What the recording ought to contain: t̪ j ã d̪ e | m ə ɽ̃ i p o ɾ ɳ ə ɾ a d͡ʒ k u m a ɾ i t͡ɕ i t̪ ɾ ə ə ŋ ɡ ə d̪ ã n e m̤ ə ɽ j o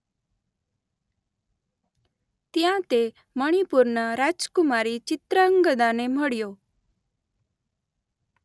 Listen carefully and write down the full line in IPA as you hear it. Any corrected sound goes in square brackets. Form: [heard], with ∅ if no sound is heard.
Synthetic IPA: t̪ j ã [t̪] e | m ə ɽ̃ i p [u] ɾ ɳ ə ɾ a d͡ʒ k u m a ɾ i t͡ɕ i t̪ ɾ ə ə ŋ ɡ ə d̪ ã n e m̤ ə ɽ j o

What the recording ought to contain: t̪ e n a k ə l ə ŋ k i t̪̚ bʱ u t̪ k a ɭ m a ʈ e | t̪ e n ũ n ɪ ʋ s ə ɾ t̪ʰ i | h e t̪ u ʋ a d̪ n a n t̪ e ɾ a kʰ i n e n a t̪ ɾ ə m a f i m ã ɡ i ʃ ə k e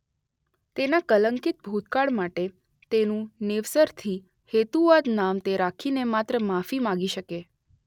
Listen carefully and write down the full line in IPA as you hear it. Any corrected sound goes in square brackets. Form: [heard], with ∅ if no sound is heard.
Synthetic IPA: t̪ e n a k ə l ə ŋ k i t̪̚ bʱ u t̪ k a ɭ m a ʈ e | t̪ e n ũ n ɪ ʋ s ə ɾ t̪ʰ i | h e t̪ u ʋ a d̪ n a [m] t̪ e ɾ a kʰ i n e [m] a t̪ ɾ ə m a f i m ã ɡ i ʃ ə k e

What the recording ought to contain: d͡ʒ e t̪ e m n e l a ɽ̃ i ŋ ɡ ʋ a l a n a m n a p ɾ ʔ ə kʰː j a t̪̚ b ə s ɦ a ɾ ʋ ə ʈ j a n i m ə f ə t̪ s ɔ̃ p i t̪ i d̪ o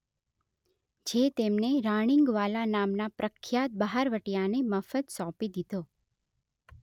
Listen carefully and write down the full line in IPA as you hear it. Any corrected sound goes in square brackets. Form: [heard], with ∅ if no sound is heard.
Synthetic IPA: d͡ʒ e t̪ e m n e [ɾ] a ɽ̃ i ŋ ɡ ʋ a l a n a m n a p ɾ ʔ ə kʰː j a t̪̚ b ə [∅] ɦ a ɾ ʋ ə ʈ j a n [e] m ə f ə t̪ s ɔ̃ p i [d̪] i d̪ o

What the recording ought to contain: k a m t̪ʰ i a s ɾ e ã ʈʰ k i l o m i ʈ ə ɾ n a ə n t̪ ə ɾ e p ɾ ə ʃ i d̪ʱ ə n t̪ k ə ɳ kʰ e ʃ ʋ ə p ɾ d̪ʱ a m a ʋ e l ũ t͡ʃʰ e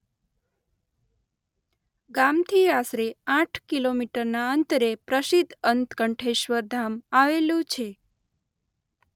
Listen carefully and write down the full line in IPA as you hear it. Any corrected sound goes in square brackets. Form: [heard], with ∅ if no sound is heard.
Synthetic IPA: [ɡ] a m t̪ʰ i a s ɾ e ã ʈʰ k i l o m i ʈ ə ɾ n a ə n t̪ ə ɾ e p ɾ ə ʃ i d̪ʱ ə n t̪ k ə ɳ [ʈʰ] e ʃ ʋ ə [∅] ɾ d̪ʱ a m a ʋ e l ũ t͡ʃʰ e

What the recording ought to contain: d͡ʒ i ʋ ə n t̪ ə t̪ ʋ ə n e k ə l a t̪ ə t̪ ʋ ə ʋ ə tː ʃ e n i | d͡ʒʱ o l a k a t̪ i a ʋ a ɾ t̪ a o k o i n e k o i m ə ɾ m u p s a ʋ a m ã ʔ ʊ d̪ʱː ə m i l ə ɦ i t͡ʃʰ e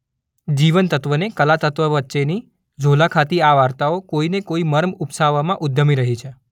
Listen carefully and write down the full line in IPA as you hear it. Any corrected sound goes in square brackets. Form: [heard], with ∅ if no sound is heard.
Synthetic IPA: d͡ʒ i ʋ ə n t̪ ə t̪ ʋ ə n e k ə l a t̪ ə t̪ ʋ ə ʋ ə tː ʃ e n i | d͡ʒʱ o l a [kʰ] a t̪ i a ʋ a ɾ t̪ a o k o i n e k o i m ə ɾ m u p s a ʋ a m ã ʔ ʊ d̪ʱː ə m i [ɾ] ə ɦ i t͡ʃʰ e

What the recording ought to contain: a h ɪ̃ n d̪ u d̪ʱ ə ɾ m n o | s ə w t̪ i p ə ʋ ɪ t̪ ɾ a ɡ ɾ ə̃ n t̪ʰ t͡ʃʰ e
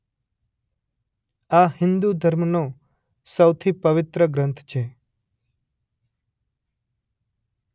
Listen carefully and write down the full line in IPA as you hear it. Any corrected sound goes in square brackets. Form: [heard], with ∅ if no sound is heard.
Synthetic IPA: a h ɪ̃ n d̪ u d̪ʱ ə ɾ m n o | s ə w [t̪ʰ] i p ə ʋ ɪ t̪ ɾ [ə] ɡ ɾ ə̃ n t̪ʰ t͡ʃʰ e

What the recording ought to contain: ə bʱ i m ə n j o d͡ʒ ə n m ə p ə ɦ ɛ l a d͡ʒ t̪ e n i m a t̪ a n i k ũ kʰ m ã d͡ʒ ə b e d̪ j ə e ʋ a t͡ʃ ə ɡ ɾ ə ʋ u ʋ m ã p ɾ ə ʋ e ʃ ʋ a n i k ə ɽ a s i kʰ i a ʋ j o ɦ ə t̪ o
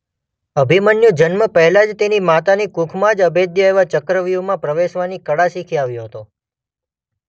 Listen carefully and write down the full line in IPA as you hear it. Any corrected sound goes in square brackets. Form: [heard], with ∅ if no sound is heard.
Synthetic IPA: ə bʱ i m ə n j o d͡ʒ ə n m ə p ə ɦ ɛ l a d͡ʒ t̪ e n i m a t̪ a n i k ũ kʰ m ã d͡ʒ ə b e d̪ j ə e ʋ a t͡ʃ ə [k] ɾ ə ʋ u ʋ m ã p ɾ ə ʋ e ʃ ʋ a n i k ə ɽ a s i kʰ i a ʋ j o ɦ ə t̪ o

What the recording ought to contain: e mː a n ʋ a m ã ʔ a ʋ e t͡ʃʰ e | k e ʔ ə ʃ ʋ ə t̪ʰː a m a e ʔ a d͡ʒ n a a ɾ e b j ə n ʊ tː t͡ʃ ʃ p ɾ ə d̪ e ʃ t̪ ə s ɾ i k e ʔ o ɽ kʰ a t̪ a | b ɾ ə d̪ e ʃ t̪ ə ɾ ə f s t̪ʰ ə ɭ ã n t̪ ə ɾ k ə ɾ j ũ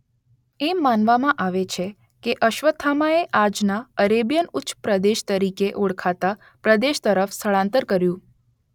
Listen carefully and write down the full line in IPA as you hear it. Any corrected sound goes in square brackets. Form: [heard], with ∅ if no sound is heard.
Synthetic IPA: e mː a n ʋ a m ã ʔ a ʋ e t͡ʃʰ e | k e ʔ ə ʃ ʋ ə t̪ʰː a m a e ʔ a d͡ʒ n a [ə] ɾ e b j ə n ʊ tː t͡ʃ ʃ p ɾ ə d̪ e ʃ t̪ ə [∅] ɾ i k e ʔ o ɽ kʰ a t̪ a | [p] ɾ ə d̪ e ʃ t̪ ə ɾ ə f s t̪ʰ ə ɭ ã n t̪ ə ɾ k ə ɾ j ũ

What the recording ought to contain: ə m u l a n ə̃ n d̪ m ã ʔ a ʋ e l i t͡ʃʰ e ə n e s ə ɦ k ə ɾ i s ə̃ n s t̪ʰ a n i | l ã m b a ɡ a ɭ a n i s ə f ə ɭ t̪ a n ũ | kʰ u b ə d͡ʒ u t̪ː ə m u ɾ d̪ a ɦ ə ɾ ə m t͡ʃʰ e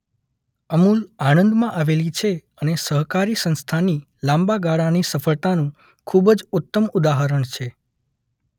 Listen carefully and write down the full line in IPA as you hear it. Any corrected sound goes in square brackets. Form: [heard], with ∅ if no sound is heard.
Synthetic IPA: ə m u l a n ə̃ n d̪ m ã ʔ a ʋ e l i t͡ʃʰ e ə n e s ə ɦ k [a] ɾ i s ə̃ n s t̪ʰ a n i | l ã m b a ɡ a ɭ a n i s ə f ə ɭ t̪ a n ũ | kʰ u b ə d͡ʒ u t̪ː ə m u [∅] d̪ a ɦ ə ɾ ə [ɳ] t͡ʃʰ e

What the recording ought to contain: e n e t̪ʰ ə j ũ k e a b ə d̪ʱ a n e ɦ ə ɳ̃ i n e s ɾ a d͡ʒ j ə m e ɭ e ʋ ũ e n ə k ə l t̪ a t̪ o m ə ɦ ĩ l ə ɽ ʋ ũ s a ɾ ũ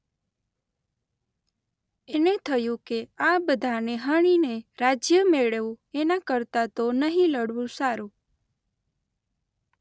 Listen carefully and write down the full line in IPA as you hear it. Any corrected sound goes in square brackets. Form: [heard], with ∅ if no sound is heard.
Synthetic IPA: e n e t̪ʰ ə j ũ k e a b ə d̪ʱ a n e ɦ ə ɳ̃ i n e [∅] ɾ a d͡ʒ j ə m e ɭ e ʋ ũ e n [a] k ə [ɾ] t̪ a t̪ o [n] ə ɦ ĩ l ə ɽ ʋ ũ s a ɾ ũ

